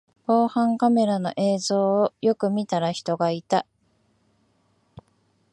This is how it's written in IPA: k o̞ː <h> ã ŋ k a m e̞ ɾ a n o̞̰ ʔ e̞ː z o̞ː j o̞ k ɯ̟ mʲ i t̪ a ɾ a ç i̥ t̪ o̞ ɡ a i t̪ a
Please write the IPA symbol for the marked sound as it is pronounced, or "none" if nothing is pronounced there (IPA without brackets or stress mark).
h